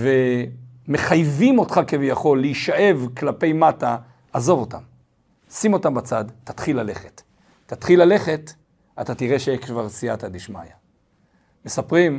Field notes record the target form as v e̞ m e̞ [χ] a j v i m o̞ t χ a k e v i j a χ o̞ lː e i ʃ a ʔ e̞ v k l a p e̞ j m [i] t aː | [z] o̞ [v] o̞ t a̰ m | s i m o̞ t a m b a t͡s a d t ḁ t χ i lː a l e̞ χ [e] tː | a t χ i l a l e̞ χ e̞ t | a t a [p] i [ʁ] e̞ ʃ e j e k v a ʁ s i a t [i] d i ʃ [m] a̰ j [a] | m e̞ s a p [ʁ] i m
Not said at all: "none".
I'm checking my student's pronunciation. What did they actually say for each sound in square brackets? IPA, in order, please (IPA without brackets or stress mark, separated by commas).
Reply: χ, a, z, v, e, t, ʁ, a, m, a, ʁ